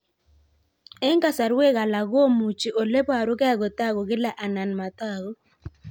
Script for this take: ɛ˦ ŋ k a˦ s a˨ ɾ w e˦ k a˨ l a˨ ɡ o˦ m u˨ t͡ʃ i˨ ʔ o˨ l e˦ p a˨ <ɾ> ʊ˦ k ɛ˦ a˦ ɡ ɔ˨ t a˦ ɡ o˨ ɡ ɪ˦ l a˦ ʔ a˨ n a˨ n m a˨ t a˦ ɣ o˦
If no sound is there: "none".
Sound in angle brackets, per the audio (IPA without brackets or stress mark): ɾ